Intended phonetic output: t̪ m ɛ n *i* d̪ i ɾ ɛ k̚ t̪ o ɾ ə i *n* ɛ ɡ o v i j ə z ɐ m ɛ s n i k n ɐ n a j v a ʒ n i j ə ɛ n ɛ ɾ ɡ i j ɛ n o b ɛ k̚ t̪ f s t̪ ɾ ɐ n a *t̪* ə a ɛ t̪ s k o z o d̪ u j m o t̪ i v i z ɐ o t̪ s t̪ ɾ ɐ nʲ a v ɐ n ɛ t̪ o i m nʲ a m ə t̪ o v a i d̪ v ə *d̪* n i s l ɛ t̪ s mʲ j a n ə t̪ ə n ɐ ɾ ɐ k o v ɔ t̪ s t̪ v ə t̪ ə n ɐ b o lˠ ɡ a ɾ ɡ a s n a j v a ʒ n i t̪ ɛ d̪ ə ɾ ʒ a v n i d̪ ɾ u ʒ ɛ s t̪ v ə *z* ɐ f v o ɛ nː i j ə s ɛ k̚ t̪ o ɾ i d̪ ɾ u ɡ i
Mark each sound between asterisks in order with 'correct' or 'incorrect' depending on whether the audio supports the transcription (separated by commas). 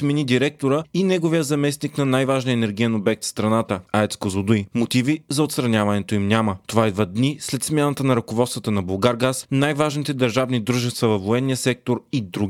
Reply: correct, correct, correct, correct, incorrect